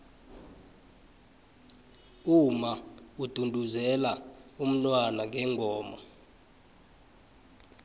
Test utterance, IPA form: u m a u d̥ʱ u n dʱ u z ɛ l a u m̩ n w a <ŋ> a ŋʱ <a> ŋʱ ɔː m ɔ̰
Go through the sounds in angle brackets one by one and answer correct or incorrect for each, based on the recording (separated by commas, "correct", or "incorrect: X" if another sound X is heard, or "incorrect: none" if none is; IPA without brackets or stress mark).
incorrect: n, incorrect: ɛ